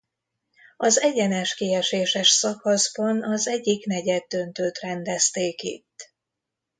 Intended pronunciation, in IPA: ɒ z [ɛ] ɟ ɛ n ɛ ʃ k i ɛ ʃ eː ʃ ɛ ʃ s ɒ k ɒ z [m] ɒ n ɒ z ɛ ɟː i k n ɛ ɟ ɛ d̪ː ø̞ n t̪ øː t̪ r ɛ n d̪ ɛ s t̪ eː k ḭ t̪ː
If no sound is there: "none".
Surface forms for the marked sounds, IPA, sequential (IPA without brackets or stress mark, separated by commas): ɛ, b